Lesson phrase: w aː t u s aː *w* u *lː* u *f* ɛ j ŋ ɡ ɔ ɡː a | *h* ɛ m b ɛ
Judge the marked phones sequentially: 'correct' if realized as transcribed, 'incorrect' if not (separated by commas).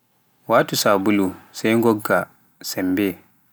incorrect, incorrect, incorrect, incorrect